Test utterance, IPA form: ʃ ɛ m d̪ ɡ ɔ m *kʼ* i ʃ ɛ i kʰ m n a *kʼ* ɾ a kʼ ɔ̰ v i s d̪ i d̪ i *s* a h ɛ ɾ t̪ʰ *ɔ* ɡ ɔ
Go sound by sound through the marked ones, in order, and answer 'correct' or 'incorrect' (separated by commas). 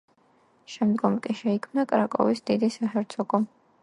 correct, correct, correct, correct